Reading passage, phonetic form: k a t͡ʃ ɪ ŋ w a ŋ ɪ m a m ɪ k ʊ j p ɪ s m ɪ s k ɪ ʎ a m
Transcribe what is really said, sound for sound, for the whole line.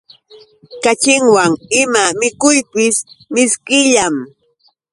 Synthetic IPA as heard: k a t͡ʃ ɪ ŋ w a ŋ ɪ m a m ɪ k ʊ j p ɪ s m ɪ s k ɪ ʎ a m